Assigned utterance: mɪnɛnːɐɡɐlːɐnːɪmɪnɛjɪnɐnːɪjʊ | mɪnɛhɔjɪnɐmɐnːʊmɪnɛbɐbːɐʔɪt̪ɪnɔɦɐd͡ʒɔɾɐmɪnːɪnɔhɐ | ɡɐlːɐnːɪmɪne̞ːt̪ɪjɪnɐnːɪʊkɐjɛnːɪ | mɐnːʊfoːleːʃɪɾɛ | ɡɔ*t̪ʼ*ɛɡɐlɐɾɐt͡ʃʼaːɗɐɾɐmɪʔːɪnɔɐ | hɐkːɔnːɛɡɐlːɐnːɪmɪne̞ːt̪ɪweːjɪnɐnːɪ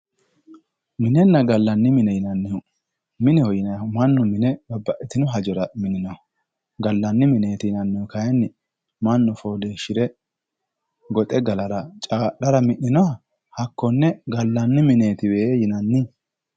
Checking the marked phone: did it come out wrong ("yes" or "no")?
no